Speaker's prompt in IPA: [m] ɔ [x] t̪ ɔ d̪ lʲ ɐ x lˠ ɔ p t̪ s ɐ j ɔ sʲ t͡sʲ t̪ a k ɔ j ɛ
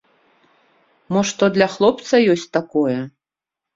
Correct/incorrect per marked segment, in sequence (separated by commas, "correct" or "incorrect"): correct, incorrect